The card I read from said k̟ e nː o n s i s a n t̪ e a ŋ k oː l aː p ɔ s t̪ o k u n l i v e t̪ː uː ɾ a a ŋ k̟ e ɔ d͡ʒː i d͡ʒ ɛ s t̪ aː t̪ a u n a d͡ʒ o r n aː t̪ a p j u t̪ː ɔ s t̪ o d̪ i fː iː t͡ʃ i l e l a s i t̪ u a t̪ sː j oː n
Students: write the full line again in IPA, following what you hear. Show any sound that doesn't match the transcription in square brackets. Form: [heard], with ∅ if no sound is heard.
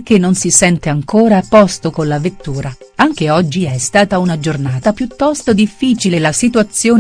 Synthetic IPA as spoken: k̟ e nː o n s i s [ɛ] n t̪ e a ŋ k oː [ɾ] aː p ɔ s t̪ o k [o] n l [a] v e t̪ː uː ɾ a a ŋ k̟ e ɔ d͡ʒː i [∅] ɛ s t̪ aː t̪ a u n a d͡ʒ o r n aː t̪ a p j u t̪ː ɔ s t̪ o d̪ i fː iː t͡ʃ i l e l a s i t̪ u a t̪ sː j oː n